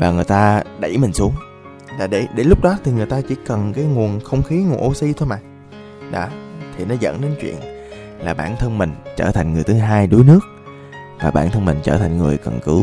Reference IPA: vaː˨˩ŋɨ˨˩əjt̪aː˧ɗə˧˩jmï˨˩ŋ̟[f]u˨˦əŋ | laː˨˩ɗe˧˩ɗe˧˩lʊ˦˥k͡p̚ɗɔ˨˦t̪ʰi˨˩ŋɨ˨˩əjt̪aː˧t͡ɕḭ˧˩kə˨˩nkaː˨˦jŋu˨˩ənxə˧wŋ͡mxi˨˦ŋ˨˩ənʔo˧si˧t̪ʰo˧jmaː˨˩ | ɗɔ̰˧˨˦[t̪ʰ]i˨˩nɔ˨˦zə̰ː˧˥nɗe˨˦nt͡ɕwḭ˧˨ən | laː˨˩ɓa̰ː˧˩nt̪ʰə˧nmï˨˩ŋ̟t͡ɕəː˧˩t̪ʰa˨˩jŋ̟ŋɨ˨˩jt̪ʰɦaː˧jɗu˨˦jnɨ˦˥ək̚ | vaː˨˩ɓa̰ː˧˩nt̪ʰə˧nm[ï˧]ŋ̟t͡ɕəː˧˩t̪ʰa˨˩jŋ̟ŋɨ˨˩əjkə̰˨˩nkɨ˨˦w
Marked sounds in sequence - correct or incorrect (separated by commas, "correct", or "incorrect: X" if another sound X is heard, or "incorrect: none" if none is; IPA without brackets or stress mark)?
incorrect: s, correct, incorrect: ï˨˩